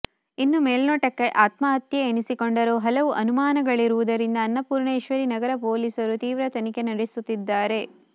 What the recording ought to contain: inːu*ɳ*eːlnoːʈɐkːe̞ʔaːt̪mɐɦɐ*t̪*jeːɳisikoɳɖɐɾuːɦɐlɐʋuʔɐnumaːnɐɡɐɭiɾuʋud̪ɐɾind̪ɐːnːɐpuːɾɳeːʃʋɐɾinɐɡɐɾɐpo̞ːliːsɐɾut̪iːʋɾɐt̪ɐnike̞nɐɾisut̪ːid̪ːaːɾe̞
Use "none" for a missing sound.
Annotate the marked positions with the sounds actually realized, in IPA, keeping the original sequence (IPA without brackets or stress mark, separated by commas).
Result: m, t̪